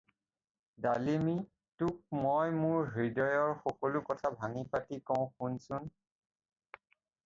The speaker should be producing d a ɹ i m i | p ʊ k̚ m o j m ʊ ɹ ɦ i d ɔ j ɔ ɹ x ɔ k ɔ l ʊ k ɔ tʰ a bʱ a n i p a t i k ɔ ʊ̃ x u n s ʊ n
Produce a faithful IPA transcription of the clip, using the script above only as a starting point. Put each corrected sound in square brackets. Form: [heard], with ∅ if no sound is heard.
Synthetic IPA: d a [l] i m i | [t] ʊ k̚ m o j m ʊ ɹ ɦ i d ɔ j ɔ ɹ x ɔ k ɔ l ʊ k ɔ tʰ a bʱ a [ŋ] i p a t i k ɔ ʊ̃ x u n s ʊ n